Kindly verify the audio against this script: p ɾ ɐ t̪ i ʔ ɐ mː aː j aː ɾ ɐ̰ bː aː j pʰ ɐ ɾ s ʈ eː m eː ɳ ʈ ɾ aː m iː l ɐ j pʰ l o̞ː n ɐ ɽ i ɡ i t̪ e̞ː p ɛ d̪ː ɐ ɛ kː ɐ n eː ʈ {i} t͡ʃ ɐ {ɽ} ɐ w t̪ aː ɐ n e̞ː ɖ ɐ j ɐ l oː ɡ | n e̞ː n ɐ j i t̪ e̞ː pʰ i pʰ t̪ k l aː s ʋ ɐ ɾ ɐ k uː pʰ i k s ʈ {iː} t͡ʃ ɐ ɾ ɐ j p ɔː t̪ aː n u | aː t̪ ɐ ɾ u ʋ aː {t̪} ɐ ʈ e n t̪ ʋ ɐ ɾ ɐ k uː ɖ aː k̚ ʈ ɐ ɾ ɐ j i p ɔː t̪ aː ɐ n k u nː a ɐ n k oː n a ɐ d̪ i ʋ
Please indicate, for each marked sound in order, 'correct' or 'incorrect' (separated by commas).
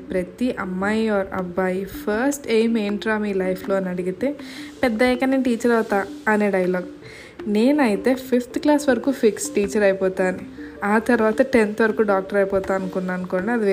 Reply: incorrect, incorrect, correct, correct